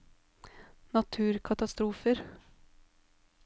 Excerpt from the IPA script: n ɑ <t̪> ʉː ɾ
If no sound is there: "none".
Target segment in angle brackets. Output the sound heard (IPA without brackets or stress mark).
t̪ʰ